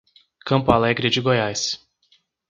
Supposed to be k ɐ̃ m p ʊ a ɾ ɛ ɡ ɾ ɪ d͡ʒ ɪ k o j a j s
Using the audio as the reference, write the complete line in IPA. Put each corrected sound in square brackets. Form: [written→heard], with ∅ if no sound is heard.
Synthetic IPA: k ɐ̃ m p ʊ a [ɾ→l] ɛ ɡ ɾ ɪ d͡ʒ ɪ [k→ɡ] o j a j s